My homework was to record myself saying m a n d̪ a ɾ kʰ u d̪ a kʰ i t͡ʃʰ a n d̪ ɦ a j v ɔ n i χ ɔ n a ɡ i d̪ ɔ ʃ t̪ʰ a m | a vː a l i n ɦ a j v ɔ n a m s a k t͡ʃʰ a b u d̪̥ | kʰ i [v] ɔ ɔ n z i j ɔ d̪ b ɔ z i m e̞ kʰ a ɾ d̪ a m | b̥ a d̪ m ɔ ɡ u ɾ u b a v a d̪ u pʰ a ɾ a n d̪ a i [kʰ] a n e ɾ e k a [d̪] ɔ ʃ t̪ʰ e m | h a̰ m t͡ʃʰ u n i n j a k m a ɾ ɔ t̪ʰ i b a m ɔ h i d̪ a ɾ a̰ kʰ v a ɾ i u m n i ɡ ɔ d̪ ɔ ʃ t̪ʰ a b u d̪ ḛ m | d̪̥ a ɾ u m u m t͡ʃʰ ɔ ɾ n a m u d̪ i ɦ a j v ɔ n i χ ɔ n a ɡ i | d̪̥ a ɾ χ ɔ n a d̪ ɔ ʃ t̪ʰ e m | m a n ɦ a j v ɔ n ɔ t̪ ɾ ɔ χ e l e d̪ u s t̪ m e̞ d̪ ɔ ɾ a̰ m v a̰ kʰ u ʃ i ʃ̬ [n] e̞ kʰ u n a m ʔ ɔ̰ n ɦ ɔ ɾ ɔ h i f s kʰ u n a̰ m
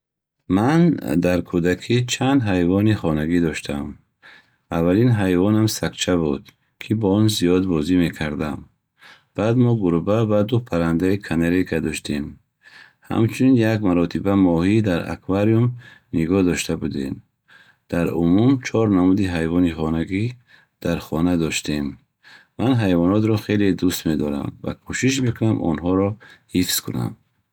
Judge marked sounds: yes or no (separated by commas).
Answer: no, yes, yes, no